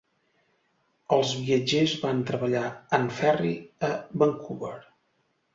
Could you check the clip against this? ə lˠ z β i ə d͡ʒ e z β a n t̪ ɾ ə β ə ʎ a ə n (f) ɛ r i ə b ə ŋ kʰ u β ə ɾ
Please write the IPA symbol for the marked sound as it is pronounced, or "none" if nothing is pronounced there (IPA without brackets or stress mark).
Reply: f